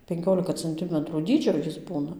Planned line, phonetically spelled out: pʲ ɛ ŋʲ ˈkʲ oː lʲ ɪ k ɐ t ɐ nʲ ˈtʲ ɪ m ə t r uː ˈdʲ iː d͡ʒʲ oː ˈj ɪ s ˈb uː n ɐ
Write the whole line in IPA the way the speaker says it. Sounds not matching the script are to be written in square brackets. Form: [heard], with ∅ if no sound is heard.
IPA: pʲ ɛ ŋʲ ˈkʲ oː lʲ ɪ k ɐ [t͡s] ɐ nʲ ˈtʲ ɪ m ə t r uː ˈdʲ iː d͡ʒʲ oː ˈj ɪ s ˈb uː n ɐ